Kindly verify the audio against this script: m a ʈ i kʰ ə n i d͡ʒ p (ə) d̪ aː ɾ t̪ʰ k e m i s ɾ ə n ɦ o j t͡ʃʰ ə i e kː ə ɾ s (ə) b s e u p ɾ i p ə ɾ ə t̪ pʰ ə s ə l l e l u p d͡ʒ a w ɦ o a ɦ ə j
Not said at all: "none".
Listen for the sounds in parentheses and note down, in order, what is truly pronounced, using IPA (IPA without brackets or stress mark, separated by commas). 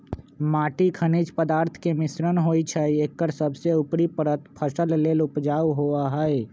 ə, ə